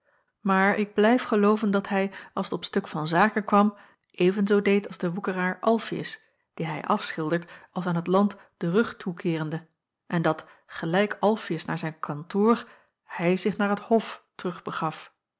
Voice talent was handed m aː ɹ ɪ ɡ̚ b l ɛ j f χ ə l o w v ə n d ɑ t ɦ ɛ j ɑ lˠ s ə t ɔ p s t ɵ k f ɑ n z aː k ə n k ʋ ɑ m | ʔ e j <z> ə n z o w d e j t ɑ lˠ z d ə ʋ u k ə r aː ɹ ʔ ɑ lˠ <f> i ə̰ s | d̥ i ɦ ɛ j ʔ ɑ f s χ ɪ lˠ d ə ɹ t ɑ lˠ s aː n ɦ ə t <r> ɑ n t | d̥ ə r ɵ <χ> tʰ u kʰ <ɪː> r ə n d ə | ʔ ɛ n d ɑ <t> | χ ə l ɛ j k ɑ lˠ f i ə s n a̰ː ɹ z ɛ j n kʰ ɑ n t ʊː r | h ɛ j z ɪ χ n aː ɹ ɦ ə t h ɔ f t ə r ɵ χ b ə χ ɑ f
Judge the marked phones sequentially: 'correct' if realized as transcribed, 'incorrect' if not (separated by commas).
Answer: incorrect, correct, incorrect, correct, correct, correct